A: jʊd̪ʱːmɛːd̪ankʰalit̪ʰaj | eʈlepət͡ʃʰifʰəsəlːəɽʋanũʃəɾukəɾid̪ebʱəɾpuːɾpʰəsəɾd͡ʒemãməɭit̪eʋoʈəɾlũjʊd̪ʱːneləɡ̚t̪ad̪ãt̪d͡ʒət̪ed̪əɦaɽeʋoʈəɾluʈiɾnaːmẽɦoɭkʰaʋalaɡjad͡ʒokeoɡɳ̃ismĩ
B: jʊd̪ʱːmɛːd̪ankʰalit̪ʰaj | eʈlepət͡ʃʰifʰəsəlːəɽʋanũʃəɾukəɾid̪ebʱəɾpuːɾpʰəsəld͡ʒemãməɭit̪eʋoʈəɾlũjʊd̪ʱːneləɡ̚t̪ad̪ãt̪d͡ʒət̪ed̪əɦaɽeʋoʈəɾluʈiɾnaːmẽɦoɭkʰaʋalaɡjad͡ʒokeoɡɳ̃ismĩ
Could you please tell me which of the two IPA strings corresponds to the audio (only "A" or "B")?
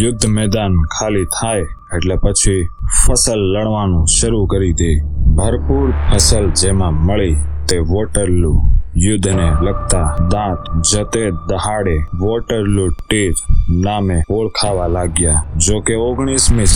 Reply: B